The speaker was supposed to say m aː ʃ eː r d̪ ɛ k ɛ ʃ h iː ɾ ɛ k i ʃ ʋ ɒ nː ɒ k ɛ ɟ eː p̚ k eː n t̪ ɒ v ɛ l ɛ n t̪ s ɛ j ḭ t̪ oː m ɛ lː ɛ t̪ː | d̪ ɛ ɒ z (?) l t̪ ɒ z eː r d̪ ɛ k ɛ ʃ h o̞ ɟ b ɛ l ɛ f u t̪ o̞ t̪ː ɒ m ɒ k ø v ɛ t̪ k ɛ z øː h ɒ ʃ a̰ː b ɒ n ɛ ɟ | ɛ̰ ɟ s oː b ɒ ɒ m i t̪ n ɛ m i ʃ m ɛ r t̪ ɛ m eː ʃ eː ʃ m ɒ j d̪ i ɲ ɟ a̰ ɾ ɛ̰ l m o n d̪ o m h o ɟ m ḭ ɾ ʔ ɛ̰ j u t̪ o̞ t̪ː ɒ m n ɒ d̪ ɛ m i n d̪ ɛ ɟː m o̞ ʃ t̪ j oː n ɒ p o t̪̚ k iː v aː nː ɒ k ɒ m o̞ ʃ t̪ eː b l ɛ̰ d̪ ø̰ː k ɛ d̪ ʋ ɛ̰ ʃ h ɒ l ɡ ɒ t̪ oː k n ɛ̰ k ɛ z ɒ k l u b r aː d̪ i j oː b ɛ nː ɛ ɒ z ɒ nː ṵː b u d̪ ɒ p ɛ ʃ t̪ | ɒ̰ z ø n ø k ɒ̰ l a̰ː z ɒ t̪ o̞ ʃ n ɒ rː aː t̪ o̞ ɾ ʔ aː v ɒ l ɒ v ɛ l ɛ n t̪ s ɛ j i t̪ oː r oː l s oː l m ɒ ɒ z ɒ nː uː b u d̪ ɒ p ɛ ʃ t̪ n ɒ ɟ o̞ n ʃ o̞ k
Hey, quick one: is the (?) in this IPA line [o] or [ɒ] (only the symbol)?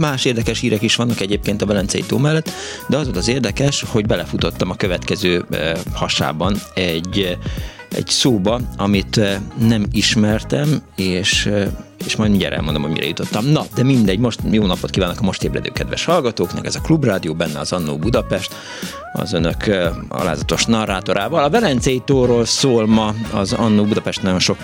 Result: o